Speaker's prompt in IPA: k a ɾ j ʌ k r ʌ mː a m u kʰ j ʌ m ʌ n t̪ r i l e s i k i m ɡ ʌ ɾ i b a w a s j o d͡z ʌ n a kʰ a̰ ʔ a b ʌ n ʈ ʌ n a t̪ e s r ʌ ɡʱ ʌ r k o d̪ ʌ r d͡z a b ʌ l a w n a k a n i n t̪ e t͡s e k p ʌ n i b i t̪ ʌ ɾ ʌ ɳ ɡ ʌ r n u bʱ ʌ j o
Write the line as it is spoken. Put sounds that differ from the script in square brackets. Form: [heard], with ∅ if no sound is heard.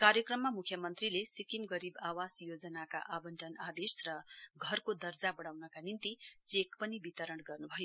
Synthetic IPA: k a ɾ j ʌ k r ʌ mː a m u kʰ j ʌ m ʌ n t̪ r i l e s i k i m ɡ ʌ ɾ i b a w a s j o d͡z ʌ n a [k] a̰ ʔ a b ʌ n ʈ ʌ n a [d̪] e s r ʌ ɡʱ ʌ r k o d̪ ʌ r d͡z a b ʌ [ɽ] a w n [ʌ] k a n i n t̪ [i] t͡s e k p ʌ n i b i t̪ ʌ ɾ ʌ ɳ ɡ ʌ r n u bʱ ʌ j o